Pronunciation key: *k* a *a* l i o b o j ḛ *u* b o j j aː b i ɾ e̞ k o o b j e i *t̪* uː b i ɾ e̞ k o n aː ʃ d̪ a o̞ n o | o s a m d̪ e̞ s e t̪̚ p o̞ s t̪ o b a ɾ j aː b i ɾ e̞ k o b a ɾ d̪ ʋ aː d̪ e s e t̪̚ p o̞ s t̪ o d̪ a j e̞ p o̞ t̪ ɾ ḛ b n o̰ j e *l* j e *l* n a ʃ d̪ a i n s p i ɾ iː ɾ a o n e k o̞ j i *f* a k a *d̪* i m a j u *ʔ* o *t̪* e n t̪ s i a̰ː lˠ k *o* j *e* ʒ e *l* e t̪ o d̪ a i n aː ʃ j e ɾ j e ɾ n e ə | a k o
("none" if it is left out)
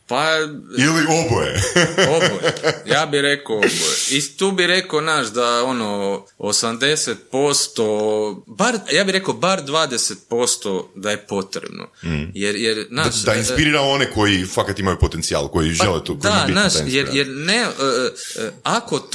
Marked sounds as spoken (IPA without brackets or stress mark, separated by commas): p, i, o, t̪, ɾ, ɾ, f, t̪, p, t̪, o, i, l